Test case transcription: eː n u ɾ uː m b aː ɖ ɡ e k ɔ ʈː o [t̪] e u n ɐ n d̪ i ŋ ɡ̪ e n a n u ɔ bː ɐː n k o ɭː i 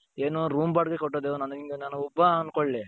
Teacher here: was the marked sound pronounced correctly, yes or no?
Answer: no